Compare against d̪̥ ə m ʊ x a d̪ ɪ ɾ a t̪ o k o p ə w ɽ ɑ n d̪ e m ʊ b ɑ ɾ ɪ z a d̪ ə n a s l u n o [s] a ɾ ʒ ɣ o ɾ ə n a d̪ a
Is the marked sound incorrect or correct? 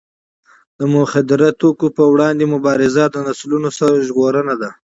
correct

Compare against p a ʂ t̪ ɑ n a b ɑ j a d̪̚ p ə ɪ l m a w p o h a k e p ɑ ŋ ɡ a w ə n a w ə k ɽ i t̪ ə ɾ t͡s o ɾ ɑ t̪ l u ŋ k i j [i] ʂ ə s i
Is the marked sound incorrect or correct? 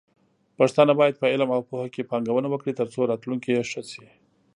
incorrect: e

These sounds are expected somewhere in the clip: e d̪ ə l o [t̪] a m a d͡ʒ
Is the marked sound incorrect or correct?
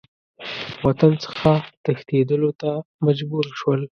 correct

